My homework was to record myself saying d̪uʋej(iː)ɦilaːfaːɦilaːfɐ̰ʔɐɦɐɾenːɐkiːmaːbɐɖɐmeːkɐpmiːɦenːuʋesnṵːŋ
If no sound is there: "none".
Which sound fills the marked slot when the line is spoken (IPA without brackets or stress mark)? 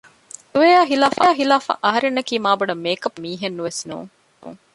aː